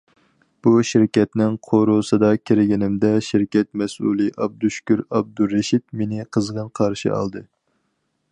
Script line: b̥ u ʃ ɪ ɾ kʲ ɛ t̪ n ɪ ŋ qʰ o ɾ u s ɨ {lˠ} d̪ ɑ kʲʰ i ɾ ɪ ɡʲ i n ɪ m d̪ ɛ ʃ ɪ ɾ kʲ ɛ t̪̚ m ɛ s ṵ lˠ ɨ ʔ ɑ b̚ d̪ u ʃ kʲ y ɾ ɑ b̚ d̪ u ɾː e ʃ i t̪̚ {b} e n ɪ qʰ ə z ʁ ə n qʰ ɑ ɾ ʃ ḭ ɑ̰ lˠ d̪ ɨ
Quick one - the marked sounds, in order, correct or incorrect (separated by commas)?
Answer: incorrect, incorrect